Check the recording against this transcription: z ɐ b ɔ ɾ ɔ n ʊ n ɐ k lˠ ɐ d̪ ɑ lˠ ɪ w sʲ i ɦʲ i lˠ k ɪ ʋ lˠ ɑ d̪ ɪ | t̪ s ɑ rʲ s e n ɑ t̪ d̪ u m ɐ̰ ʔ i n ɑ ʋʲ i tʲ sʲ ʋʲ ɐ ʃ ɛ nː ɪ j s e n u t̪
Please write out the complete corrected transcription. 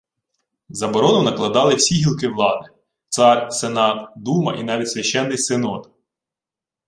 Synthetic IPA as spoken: z ɐ b ɔ ɾ ɔ n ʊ n ɐ k lˠ ɐ d̪ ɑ lˠ ɪ w sʲ i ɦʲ i lˠ k ɪ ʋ lˠ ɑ d̪ ɪ | t̪ s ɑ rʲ s e n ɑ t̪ d̪ u m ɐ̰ ʔ i n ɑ ʋʲ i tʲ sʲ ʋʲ ɐ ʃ ɛ nː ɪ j s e n ɔ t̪